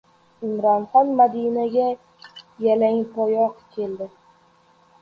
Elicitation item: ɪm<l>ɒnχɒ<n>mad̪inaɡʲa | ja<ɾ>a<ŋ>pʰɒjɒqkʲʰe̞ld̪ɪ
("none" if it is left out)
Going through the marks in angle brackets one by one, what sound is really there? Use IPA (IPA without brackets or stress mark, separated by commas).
ɾ, n, l, ŋ